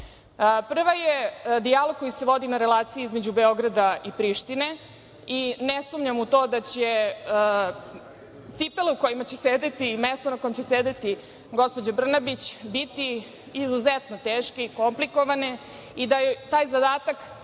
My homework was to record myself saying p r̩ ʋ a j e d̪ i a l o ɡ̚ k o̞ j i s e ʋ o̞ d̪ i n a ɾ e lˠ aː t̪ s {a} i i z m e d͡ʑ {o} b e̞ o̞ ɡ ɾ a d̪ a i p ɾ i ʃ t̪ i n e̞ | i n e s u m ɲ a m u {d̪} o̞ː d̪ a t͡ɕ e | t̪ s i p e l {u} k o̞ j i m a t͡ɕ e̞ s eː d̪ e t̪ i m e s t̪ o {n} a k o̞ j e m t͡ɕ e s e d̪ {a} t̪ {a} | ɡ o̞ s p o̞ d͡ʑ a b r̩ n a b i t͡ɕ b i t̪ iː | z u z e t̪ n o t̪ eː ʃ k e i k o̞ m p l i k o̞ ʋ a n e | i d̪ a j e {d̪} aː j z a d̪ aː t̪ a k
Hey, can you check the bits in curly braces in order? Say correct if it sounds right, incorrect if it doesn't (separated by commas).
incorrect, incorrect, incorrect, correct, correct, incorrect, incorrect, incorrect